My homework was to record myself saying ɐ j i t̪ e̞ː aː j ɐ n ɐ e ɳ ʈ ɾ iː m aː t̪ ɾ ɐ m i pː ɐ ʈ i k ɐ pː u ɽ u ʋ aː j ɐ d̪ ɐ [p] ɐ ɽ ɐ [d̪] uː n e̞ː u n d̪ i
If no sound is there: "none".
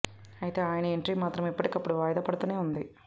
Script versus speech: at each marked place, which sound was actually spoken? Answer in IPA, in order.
p, t̪

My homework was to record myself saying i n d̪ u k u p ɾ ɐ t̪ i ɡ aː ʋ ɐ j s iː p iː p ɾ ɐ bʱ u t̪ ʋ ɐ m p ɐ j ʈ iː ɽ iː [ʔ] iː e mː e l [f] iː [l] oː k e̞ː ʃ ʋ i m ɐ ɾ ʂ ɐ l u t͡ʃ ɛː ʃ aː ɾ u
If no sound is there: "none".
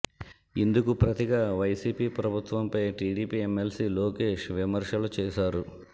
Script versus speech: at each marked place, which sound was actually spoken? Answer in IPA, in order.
p, s, l

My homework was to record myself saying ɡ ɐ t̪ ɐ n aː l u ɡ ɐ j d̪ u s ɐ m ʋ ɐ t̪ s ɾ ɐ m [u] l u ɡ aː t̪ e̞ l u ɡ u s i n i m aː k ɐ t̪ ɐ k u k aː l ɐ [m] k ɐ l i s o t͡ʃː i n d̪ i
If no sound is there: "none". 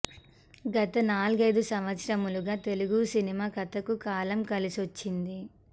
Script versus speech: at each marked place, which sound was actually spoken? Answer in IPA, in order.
u, m

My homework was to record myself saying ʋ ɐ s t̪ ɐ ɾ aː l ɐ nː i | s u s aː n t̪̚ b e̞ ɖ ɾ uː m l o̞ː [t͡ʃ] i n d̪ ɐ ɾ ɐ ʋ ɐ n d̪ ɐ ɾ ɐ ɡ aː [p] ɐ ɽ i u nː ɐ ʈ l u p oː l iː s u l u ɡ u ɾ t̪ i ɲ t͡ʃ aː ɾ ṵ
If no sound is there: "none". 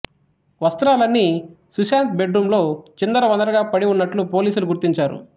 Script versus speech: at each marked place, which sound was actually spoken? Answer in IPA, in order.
t͡ʃ, p

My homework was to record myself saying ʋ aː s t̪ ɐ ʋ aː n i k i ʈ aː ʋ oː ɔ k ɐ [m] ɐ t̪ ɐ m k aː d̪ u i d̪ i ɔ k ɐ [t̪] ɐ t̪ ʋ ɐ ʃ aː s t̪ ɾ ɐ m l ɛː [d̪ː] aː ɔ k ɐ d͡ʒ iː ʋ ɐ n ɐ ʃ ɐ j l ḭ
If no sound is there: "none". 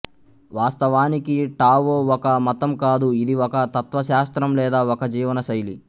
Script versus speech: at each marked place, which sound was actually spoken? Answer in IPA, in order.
m, t̪, d̪

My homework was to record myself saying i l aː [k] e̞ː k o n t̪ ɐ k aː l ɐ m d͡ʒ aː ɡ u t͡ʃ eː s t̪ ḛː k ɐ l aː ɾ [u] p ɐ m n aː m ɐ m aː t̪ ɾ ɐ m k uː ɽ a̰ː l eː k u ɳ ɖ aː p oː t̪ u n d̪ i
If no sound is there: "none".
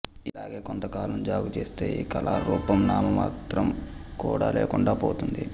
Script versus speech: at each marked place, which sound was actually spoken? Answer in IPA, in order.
ɡ, uː

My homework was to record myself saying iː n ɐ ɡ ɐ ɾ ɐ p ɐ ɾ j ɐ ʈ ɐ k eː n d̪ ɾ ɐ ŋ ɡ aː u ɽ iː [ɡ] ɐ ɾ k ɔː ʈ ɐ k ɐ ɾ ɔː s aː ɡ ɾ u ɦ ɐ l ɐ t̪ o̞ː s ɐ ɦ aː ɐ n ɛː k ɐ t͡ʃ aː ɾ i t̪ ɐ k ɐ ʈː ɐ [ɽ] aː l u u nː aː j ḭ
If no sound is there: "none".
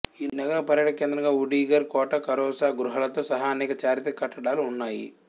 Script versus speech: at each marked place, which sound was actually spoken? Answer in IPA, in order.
ɡ, ɽ

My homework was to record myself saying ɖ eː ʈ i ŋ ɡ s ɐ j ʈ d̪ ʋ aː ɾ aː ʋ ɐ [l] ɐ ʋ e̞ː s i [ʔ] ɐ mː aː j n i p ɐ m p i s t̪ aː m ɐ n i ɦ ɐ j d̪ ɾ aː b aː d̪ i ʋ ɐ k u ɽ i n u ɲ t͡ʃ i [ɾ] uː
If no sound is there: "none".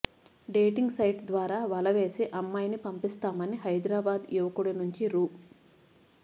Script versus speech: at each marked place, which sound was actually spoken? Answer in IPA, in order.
l, ʔ, ɾ

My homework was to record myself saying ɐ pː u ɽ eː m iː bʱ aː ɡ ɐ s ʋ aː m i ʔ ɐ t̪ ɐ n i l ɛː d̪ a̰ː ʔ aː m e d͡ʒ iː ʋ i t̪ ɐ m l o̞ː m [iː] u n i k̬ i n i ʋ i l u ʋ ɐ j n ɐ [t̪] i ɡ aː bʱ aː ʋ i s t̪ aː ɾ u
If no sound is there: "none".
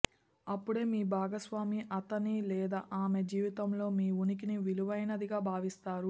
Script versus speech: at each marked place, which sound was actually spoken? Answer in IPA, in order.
iː, d̪

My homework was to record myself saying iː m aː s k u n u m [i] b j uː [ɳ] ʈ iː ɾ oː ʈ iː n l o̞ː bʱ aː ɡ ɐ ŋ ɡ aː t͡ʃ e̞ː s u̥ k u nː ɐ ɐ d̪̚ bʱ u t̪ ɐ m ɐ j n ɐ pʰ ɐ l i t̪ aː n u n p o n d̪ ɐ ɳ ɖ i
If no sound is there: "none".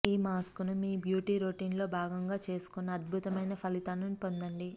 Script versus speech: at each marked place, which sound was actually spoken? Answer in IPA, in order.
iː, none

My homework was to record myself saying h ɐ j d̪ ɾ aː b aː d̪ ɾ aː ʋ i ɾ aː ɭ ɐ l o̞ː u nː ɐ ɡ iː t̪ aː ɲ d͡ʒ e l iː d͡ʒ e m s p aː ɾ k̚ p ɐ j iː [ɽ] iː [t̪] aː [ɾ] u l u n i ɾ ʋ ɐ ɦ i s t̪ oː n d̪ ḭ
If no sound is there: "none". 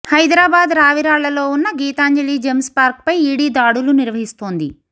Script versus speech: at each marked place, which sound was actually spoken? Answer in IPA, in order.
ɽ, d̪, ɽ

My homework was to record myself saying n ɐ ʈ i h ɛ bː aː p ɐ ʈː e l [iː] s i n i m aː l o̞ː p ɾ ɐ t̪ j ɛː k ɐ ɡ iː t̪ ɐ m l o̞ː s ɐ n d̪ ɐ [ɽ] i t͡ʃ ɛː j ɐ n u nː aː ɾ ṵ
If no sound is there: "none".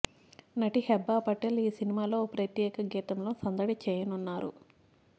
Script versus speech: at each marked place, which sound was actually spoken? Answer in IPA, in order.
iː, ɽ

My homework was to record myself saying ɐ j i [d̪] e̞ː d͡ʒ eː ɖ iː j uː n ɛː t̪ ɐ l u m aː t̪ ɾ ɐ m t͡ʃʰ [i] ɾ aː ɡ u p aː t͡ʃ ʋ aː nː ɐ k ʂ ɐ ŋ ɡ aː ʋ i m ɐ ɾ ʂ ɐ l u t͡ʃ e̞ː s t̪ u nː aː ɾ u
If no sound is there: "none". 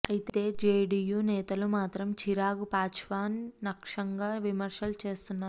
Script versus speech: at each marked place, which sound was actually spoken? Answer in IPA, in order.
t̪, i

